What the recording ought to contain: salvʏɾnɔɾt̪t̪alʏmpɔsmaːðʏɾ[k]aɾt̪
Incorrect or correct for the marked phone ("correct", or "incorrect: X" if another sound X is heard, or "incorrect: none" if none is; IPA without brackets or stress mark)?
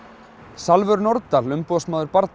incorrect: p